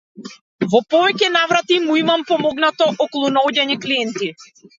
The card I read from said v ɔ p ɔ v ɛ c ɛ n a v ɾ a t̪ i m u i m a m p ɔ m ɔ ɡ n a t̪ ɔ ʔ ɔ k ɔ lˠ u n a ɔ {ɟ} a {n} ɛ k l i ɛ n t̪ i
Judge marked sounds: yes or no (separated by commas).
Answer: yes, no